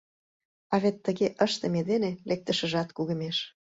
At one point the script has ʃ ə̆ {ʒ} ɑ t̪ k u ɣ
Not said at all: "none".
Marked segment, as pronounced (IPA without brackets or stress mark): ʒ